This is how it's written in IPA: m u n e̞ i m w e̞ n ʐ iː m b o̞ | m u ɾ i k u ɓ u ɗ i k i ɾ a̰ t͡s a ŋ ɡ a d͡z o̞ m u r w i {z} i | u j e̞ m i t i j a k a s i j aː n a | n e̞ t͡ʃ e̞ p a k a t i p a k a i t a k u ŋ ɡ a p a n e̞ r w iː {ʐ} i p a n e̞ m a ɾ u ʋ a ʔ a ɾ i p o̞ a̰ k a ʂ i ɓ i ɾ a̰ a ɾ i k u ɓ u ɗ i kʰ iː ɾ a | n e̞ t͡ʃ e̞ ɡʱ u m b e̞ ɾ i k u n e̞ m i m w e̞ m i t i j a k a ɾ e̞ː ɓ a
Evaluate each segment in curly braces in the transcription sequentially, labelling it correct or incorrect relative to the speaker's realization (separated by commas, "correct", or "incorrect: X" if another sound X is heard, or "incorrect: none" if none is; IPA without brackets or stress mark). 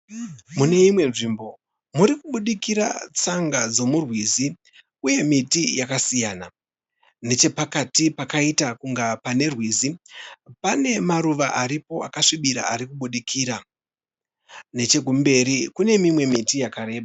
correct, incorrect: z